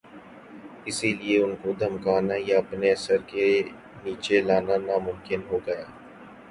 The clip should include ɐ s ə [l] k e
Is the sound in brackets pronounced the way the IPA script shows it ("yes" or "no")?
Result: no